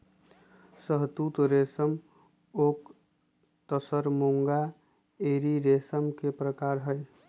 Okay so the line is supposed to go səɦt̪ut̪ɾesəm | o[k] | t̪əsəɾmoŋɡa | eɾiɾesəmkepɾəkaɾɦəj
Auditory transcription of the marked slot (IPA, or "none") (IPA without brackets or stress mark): k